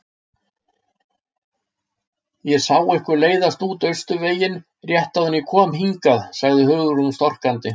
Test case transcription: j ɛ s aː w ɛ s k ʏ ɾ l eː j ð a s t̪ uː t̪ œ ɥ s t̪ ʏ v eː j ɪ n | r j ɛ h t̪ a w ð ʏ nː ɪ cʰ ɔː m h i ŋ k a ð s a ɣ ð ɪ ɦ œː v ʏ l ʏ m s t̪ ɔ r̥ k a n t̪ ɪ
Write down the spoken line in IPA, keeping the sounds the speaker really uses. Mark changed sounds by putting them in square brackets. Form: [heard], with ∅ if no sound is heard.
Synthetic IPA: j ɛ s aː w ɛ [h] k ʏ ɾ l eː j ð a s t̪ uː t̪ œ ɥ s t̪ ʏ v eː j ɪ n | r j ɛ h t̪ a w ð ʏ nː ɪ [kʰ] ɔː m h i ŋ k a ð s a ɣ ð ɪ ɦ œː [ɣ] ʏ [ɾ] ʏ m s t̪ ɔ r̥ k a n t̪ ɪ